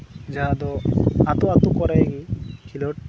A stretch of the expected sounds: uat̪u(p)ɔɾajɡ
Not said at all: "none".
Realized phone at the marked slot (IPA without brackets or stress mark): k